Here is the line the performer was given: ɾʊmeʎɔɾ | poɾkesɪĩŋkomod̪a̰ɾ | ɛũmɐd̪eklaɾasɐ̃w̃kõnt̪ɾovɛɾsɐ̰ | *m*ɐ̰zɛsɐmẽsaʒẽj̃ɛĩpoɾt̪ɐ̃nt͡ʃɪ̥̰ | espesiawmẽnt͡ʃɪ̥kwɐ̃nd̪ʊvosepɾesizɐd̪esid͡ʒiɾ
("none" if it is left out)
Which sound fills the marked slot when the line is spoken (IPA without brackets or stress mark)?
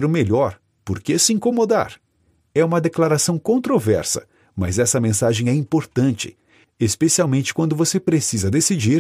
m